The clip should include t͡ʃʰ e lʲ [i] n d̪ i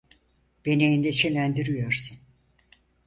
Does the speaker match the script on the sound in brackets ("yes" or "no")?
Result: no